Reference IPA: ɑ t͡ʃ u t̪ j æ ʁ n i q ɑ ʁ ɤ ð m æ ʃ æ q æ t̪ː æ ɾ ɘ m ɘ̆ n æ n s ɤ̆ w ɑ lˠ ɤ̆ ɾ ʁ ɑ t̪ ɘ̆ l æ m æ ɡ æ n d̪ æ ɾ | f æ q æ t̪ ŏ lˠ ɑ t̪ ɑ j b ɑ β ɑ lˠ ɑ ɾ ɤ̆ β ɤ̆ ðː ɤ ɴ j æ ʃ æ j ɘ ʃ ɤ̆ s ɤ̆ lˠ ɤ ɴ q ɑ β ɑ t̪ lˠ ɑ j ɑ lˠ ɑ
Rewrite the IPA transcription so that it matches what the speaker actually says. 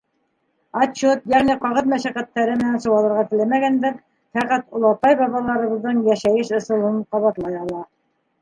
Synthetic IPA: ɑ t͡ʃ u t̪ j æ ʁ n i q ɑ ʁ ɤ ð m æ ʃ æ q æ t̪ː æ ɾ ɘ m ɘ̆ n æ n s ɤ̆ w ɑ lˠ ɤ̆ ɾ ʁ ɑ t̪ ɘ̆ l æ m æ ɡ æ n d̪ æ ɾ | f æ q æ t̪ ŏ lˠ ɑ t̪ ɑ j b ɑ β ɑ lˠ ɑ ɾ ɤ̆ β ɤ̆ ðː ɤ ɴ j æ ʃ æ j ɘ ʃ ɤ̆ s ɤ̆ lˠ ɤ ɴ q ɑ β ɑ t̪ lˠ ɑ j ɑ lˠ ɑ